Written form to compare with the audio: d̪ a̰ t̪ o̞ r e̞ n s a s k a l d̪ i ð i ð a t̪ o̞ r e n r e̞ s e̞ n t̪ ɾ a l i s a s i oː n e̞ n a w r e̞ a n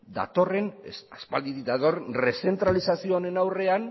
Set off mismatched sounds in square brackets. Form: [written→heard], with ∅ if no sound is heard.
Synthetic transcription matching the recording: d̪ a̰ t̪ o̞ r e̞ n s a s [k→p] a l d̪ i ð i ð a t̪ o̞ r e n r e̞ s e̞ n t̪ ɾ a l i s a s i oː n e̞ n a w r e̞ a n